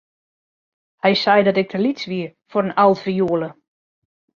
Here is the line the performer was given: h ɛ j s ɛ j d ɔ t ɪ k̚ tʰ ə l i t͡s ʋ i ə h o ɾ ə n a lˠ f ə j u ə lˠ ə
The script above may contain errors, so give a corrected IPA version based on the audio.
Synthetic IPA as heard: h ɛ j s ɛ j d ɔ t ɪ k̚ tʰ ə l i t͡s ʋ i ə f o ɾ ə n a lˠ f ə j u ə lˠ ə